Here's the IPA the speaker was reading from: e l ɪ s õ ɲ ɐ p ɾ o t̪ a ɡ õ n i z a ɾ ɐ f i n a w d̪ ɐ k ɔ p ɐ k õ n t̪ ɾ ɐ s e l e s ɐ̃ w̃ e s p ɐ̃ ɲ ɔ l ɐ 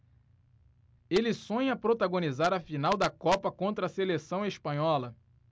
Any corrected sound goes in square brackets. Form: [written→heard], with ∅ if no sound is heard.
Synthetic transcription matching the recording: e l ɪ s õ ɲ ɐ p ɾ o t̪ a ɡ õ n i z a ɾ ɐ f i n a w d̪ ɐ k ɔ p ɐ k õ n t̪ ɾ ɐ s e l e s ɐ̃ w̃ e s p ɐ̃ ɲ ɔ l ɐ